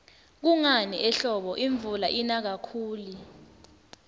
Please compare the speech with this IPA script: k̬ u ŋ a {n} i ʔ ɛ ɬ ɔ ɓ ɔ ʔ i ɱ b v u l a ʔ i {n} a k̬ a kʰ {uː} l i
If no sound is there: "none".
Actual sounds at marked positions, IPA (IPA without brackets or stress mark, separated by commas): n, n, uː